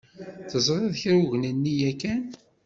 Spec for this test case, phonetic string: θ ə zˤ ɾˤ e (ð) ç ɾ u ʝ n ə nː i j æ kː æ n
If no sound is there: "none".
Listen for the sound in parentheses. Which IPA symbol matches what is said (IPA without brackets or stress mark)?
ð